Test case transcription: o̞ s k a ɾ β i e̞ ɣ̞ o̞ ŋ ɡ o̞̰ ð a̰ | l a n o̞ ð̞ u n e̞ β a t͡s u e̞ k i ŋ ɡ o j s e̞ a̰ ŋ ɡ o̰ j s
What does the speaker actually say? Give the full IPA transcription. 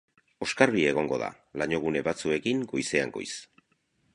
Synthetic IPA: o̞ s k a ɾ β i e̞ ɣ̞ o̞ ŋ ɡ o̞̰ ð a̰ | l a ɲ o̞ ɣ̞ u n e̞ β a t͡s u e̞ k i ŋ ɡ o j s e̞ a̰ ŋ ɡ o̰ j s

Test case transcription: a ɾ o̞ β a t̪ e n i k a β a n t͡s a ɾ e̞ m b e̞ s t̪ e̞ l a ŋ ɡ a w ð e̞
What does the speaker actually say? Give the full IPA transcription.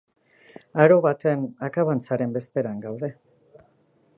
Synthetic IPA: a ɾ o̞ β a t̪ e n a k a β a n t͡s a ɾ e̞ m b e̞ s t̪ e̞ ɾ a ŋ ɡ a w ð e̞

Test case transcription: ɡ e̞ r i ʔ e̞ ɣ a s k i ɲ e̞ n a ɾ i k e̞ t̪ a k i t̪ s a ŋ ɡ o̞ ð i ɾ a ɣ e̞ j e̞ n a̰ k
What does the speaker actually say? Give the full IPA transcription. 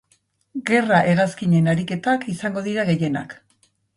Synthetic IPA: ɡ e̞ r a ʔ e̞ ɣ a s k i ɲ e̞ n a ɾ i k e̞ t̪ a k i s a ŋ ɡ o̞ ð i ɾ a ɣ e̞ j e̞ n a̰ k

